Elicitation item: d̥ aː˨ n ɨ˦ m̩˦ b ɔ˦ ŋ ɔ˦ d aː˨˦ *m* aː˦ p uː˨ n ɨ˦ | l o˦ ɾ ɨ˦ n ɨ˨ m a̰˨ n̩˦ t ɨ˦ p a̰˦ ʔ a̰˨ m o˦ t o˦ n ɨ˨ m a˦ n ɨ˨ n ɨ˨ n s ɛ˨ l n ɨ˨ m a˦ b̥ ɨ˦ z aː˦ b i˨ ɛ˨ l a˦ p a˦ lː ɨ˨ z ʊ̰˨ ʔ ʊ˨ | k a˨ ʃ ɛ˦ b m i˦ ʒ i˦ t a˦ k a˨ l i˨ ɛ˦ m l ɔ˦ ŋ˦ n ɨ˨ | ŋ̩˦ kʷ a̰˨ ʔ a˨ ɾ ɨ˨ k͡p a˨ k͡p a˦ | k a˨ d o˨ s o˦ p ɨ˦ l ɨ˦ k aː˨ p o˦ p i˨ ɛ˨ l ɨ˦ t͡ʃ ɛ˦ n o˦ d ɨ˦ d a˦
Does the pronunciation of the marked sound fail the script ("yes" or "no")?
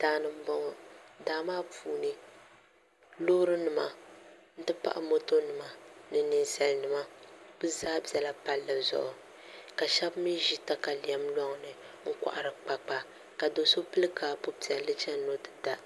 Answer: no